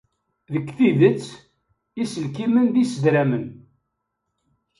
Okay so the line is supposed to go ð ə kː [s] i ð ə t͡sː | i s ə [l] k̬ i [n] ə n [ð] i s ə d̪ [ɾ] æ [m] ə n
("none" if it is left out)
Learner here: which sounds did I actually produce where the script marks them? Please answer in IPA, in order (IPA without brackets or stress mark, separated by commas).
θ, l, m, ð, ɾ, m